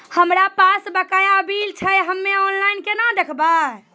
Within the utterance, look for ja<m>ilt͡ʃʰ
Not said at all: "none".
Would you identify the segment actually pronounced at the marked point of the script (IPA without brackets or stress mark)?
b